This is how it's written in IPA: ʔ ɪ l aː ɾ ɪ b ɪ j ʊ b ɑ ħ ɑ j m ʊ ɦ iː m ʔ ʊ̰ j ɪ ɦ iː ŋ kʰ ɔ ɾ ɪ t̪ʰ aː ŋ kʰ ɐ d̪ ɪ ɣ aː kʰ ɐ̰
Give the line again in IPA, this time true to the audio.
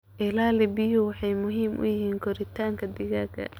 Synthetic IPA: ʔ ɪ l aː l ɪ b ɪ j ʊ w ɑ ħ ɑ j m ʊ ɦ iː m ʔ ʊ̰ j ɪ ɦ iː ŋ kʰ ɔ ɾ ɪ t̪ʰ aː ŋ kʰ ɐ d̪ ɪ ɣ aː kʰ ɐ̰